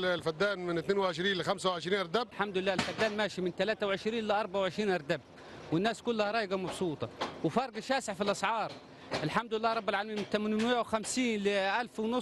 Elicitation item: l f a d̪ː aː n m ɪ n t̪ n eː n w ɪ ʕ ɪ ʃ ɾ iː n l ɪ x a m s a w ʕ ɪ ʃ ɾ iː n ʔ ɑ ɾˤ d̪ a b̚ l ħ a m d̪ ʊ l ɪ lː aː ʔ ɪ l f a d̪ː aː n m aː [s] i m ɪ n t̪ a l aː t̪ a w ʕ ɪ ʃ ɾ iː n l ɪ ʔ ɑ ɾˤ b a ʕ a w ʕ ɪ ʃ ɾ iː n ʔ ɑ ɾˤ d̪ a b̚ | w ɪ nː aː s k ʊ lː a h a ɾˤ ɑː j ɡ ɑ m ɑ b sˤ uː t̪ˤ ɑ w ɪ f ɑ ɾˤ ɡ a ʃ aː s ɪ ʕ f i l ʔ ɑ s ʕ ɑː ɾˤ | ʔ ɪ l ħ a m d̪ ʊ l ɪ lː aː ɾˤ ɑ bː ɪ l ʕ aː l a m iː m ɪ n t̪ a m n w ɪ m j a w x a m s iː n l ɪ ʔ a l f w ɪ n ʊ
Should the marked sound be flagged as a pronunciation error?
yes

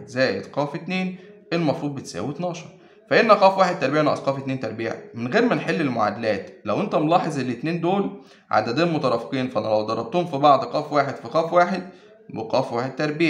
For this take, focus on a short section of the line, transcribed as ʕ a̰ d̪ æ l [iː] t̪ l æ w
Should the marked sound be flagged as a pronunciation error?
yes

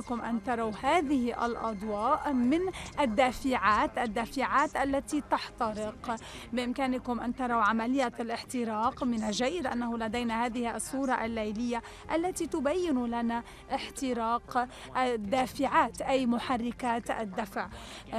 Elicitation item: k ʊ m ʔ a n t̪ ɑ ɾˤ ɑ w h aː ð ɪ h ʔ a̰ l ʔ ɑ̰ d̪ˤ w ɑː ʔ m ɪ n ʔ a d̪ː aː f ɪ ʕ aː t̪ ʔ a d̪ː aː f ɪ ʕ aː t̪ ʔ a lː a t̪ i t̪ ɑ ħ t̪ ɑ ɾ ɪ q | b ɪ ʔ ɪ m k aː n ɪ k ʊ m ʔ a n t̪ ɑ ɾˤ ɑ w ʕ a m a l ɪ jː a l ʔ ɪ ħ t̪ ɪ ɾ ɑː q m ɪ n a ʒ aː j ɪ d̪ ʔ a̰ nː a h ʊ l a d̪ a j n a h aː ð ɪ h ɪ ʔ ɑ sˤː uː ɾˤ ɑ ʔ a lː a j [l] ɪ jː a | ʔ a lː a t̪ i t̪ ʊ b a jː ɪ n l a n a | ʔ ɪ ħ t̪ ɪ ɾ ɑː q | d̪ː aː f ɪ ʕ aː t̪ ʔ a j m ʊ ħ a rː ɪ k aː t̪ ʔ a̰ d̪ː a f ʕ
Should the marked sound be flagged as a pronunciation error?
no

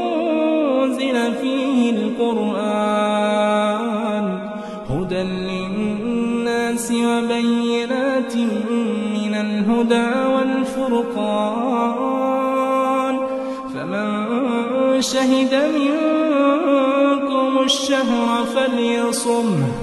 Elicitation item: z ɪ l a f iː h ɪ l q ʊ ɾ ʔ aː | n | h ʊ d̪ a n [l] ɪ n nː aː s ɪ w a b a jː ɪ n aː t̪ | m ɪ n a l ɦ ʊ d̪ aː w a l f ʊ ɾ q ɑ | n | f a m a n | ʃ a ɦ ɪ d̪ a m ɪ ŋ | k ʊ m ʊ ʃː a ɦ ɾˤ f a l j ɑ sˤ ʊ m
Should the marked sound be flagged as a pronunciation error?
no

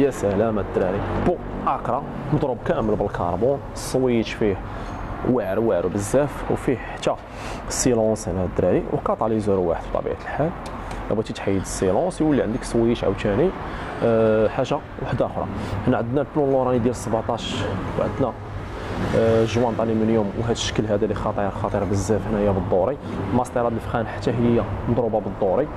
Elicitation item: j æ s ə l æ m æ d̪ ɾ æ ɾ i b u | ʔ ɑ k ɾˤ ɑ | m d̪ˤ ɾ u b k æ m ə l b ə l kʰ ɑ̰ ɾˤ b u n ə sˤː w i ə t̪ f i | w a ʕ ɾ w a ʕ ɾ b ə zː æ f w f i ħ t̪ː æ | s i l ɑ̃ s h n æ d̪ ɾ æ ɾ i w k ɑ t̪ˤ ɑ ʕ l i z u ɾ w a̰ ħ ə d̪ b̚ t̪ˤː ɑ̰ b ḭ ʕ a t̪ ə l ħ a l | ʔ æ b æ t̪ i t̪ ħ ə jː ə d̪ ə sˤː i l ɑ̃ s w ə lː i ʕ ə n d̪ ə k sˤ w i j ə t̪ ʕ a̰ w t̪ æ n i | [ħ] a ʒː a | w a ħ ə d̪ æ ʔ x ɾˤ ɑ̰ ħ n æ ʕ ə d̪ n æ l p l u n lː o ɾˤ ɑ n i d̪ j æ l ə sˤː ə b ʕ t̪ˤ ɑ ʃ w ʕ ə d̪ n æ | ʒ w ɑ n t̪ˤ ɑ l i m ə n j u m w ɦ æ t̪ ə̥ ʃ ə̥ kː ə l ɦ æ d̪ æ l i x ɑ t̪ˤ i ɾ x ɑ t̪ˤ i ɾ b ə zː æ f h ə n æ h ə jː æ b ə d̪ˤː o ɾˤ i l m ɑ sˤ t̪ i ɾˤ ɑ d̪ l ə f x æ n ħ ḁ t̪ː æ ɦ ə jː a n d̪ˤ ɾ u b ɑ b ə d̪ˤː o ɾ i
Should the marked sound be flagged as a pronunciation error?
no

